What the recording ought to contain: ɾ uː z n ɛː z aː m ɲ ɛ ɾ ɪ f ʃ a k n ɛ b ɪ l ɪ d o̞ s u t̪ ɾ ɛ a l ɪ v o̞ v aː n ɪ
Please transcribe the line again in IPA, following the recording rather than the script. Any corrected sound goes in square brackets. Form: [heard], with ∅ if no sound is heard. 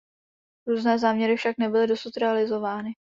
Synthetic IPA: ɾ uː z n ɛː z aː m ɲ ɛ ɾ ɪ f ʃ a k n ɛ b ɪ l ɪ d o̞ s u t̪ ɾ ɛ a l ɪ [z] o̞ v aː n ɪ